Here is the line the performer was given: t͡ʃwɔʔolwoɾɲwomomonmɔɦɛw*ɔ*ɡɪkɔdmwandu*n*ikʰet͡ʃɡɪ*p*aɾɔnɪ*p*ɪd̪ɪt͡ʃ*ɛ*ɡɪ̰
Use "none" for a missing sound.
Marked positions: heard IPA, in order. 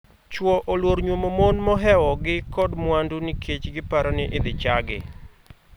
ɔ, n, p, ʔ, a

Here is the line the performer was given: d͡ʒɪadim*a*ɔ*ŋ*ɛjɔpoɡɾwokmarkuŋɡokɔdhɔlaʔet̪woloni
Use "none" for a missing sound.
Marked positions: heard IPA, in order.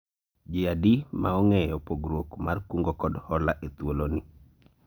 a, ŋ

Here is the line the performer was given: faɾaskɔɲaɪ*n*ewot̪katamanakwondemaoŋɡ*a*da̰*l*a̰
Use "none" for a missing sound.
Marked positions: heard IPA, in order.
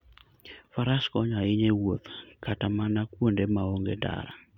ɲ, e, ɾ

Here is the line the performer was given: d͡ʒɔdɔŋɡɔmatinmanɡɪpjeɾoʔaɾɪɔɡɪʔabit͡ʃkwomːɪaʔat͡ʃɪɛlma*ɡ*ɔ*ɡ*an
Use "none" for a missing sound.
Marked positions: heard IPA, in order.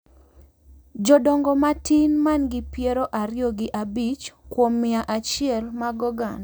ɡ, ɡ

